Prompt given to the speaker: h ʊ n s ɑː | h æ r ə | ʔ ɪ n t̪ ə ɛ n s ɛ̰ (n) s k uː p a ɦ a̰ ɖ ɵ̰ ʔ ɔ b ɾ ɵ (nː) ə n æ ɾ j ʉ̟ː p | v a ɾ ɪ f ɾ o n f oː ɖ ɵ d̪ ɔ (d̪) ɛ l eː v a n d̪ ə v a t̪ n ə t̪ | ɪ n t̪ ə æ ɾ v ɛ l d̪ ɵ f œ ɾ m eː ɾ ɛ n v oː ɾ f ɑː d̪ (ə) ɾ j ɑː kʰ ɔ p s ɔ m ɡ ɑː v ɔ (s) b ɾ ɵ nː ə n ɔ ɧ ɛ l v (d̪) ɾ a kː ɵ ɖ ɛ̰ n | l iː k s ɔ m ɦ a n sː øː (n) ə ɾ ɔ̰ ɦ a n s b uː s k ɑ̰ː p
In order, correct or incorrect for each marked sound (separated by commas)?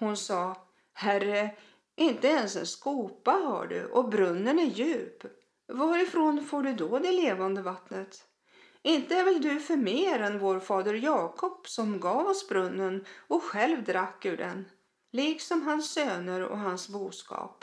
correct, correct, correct, correct, correct, correct, correct